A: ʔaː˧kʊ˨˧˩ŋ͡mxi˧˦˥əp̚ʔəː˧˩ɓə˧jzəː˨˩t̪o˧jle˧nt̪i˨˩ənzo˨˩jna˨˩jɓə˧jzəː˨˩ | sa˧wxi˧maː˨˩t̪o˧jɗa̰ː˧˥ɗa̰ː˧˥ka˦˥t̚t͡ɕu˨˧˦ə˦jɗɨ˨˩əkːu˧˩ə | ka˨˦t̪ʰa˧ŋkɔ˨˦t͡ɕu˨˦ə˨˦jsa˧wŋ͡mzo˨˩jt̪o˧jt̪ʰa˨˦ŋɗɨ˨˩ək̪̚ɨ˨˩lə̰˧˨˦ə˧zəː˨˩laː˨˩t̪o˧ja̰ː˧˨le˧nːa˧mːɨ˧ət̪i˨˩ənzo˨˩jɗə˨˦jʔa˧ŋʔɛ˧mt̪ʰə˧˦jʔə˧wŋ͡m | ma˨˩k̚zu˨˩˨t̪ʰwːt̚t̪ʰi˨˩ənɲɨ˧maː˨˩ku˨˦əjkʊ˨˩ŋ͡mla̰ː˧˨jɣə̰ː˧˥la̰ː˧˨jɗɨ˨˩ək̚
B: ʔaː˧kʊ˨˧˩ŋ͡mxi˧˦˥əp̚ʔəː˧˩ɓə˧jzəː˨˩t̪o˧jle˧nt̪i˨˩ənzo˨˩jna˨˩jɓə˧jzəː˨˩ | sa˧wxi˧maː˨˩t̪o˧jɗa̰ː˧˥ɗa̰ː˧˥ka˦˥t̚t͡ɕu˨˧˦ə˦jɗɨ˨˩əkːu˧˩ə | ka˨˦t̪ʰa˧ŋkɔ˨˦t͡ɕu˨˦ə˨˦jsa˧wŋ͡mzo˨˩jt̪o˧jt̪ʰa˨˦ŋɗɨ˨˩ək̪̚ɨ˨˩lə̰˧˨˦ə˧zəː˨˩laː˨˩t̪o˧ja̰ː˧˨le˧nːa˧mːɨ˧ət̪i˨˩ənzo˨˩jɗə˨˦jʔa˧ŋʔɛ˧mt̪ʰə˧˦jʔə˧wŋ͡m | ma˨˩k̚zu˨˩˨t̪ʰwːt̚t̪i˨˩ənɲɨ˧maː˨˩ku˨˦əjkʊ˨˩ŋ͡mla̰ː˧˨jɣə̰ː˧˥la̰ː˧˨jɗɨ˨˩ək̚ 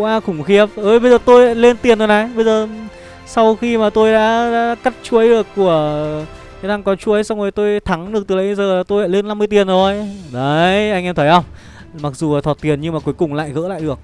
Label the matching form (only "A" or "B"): B